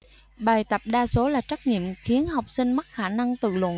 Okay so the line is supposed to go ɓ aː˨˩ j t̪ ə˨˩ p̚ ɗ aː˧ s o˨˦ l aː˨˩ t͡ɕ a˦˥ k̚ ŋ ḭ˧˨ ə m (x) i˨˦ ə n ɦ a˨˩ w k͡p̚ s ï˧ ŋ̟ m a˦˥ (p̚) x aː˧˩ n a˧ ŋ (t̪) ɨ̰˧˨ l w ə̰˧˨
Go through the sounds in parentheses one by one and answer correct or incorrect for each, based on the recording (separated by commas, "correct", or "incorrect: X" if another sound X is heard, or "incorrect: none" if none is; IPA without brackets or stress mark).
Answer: correct, incorrect: t̚, correct